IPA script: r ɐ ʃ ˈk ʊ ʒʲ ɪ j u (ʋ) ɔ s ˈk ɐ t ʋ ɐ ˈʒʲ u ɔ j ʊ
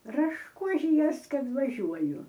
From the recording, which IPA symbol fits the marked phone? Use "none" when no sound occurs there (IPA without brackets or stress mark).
none